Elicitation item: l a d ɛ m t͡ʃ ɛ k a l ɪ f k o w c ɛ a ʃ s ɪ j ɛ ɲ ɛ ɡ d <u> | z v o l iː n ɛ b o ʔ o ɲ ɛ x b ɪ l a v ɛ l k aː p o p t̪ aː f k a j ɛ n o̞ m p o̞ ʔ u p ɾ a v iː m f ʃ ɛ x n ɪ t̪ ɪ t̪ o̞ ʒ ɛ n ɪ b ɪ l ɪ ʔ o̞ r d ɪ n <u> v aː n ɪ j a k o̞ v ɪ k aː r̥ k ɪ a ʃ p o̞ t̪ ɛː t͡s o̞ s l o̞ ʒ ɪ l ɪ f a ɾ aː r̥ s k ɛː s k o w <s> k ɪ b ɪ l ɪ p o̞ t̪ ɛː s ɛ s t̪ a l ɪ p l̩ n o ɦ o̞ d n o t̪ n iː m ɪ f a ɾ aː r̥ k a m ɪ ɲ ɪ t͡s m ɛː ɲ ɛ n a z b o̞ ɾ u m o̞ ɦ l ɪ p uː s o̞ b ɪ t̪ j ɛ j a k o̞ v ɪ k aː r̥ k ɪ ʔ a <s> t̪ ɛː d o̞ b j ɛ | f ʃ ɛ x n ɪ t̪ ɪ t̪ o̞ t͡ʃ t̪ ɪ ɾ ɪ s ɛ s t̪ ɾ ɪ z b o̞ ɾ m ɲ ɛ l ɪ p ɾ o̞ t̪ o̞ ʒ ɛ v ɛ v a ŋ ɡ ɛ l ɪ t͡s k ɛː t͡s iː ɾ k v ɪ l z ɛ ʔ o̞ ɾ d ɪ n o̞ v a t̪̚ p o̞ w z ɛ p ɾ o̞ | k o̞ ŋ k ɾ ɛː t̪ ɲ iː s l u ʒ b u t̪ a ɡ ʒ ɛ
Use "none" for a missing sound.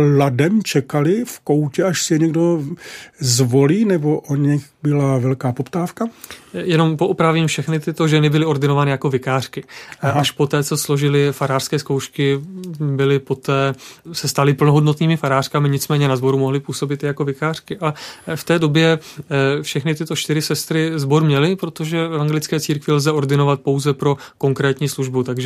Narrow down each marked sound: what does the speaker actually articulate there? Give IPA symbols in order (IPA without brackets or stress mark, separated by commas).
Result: o, o, ʃ, f